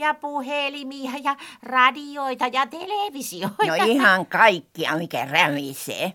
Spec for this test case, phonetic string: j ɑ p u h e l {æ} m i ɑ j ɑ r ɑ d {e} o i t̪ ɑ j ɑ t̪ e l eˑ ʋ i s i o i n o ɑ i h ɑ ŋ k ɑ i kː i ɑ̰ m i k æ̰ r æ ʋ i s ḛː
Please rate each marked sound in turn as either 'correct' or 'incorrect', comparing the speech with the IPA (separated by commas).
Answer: incorrect, incorrect